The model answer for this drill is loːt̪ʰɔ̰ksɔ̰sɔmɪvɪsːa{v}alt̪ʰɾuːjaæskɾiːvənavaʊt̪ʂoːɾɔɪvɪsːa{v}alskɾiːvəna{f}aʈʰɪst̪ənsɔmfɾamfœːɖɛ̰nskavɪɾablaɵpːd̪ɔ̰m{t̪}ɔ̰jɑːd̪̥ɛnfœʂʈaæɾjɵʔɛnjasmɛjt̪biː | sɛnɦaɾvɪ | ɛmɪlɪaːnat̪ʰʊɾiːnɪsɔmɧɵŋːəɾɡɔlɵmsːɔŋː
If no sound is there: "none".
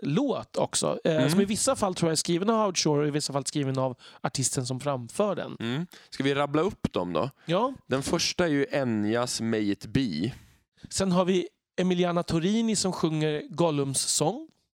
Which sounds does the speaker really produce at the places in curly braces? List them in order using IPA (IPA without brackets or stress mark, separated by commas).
f, f, v, d̪